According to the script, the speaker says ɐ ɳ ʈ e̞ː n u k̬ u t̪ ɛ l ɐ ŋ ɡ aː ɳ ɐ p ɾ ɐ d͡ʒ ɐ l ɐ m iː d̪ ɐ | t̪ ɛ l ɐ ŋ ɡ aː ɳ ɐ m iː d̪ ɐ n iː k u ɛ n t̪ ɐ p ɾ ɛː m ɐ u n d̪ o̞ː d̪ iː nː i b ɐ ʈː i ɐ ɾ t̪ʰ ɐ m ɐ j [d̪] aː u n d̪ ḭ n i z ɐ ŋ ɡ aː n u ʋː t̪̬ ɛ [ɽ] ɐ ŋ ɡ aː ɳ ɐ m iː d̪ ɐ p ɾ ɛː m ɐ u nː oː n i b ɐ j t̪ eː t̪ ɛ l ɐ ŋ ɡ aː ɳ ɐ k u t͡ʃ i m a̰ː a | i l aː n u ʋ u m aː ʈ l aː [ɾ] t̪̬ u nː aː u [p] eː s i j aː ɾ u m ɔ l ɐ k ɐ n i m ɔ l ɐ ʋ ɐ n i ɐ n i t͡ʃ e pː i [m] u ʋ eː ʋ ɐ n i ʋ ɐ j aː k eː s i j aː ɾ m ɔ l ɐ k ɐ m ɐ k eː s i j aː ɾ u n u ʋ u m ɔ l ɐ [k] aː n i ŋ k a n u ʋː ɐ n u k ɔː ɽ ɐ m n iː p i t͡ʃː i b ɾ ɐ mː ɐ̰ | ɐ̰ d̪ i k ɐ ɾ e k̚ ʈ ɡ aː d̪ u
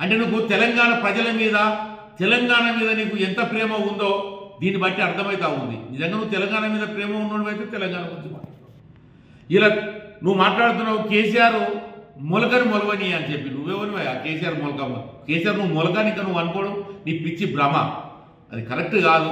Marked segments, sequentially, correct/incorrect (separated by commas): incorrect, incorrect, incorrect, incorrect, incorrect, correct